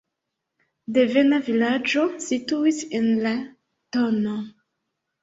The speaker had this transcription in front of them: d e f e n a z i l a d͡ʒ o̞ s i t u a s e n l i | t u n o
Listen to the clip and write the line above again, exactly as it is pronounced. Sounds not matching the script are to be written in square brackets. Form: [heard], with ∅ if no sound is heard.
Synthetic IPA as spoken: d e [v] e n a [v] i l a d͡ʒ o̞ s i t u [i] s e n l [a] | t [o] n o